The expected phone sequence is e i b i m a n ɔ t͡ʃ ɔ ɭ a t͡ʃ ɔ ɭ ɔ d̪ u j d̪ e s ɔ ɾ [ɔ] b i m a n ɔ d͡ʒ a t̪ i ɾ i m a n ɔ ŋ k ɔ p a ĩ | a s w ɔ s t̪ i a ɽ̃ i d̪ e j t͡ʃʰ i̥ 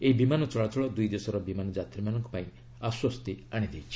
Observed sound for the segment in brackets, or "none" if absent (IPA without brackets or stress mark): ɔ